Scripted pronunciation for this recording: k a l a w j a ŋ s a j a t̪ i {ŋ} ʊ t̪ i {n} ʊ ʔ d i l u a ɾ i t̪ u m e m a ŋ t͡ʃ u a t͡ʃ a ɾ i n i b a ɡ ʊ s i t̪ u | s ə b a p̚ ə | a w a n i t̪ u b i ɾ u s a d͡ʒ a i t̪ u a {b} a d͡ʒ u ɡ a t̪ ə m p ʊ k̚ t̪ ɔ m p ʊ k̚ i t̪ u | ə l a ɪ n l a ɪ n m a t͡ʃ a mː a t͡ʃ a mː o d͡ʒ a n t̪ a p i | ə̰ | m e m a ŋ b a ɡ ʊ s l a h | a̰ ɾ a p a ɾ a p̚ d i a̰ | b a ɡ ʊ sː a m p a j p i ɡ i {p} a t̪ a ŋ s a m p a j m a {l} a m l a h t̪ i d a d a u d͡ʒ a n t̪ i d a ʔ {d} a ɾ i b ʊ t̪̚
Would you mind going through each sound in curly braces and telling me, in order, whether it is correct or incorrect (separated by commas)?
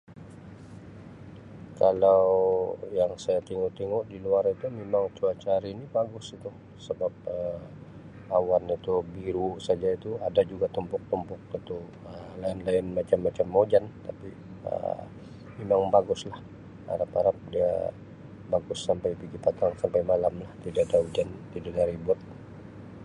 correct, incorrect, incorrect, correct, correct, correct